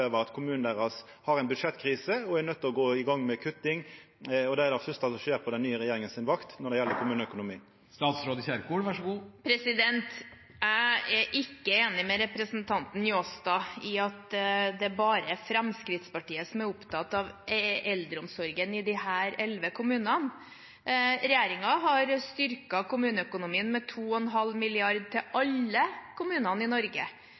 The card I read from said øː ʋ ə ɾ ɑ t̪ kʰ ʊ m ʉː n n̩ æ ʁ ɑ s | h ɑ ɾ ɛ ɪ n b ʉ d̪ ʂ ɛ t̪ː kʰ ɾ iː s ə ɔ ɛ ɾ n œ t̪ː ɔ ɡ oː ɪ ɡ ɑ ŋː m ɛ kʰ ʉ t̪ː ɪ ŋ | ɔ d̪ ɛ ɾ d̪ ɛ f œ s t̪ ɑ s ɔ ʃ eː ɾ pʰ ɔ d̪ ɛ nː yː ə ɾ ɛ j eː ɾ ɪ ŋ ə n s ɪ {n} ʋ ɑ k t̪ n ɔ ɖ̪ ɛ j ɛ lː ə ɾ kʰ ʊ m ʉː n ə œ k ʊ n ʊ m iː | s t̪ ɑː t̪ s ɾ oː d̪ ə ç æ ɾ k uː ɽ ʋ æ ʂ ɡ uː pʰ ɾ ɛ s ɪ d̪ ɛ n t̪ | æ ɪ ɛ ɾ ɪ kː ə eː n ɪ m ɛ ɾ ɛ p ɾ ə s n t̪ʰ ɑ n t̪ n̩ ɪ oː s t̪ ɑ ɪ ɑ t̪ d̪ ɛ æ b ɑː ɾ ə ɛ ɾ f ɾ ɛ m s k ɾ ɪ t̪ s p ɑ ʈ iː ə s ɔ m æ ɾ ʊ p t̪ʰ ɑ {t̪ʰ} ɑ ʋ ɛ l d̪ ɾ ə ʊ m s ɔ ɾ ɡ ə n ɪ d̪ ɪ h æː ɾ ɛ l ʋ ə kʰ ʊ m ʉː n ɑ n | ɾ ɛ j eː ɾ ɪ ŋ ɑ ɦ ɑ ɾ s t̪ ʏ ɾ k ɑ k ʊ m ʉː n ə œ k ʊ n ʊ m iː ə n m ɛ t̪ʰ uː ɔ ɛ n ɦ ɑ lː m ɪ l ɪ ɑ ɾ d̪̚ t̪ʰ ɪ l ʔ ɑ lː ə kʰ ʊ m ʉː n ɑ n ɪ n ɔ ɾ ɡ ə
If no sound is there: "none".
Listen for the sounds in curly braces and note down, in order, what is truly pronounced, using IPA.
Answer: n, t̪

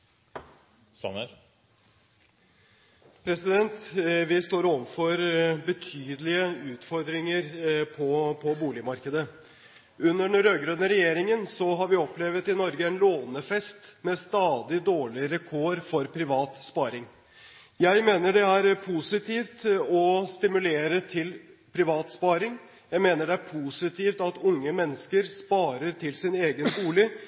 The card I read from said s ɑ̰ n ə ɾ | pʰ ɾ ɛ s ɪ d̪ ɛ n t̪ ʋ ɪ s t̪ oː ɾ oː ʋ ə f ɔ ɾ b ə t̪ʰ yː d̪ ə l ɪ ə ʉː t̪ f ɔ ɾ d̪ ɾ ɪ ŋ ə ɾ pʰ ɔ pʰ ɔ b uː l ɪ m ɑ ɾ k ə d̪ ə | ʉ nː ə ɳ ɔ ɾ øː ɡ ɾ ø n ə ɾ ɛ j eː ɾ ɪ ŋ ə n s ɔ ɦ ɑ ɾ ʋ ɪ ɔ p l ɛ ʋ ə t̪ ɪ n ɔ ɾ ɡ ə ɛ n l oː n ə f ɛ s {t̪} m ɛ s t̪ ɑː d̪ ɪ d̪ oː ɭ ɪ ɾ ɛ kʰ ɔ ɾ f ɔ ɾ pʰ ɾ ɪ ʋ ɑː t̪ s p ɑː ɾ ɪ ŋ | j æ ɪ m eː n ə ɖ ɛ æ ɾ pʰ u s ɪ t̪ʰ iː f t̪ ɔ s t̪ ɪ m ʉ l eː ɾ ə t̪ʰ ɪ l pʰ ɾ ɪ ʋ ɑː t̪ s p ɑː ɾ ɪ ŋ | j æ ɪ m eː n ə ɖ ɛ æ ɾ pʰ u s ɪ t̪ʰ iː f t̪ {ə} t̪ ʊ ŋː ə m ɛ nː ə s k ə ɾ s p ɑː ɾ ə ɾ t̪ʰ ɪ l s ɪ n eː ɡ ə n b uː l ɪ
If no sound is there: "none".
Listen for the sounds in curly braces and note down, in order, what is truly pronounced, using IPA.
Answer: t̪, ɑ

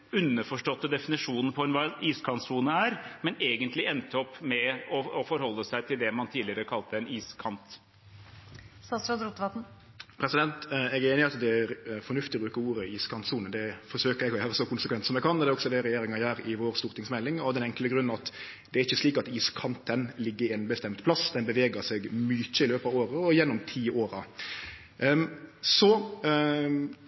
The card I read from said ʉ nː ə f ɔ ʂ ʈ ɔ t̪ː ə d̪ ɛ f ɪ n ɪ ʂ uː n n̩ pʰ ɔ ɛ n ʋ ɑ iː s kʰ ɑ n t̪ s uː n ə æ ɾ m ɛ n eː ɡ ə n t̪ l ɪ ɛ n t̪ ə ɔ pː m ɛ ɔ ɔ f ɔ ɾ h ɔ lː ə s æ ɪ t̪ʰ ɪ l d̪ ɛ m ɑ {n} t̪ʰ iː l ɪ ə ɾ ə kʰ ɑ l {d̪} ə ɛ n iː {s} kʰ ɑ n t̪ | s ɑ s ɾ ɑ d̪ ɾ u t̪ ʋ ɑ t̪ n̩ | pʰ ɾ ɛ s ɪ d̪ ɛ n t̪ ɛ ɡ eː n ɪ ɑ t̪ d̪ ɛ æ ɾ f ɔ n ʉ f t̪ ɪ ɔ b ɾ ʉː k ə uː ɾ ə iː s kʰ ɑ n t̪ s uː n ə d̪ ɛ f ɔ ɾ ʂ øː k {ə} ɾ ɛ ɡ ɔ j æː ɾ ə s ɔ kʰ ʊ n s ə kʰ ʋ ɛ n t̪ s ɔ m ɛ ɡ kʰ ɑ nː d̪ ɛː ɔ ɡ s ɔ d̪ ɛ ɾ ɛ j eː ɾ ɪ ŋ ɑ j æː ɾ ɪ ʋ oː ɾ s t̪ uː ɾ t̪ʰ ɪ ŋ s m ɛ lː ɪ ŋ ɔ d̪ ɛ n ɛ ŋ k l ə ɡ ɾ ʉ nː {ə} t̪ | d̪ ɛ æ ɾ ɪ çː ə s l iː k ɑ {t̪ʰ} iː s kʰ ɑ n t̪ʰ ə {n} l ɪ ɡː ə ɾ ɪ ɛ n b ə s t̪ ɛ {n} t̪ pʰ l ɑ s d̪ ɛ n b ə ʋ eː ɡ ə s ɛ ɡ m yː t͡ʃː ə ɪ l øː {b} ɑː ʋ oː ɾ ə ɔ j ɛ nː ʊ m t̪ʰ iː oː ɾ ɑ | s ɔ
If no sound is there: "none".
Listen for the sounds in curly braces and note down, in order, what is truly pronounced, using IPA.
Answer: n, t̪, s, ə, ɑ, t̪, n, m, p

